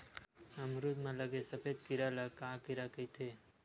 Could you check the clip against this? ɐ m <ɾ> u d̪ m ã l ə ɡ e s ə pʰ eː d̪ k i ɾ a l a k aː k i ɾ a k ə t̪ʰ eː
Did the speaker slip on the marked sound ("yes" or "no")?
no